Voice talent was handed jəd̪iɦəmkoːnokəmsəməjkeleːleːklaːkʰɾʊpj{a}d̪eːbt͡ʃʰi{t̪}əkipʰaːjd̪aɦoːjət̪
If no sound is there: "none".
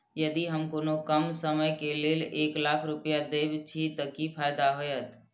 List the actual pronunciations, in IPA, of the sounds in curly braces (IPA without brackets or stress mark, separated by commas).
a, t̪